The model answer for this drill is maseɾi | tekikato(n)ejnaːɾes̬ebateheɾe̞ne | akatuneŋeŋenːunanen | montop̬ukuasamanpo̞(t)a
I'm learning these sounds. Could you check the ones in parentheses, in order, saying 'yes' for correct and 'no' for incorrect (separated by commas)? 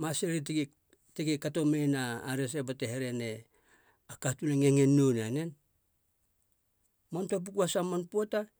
no, yes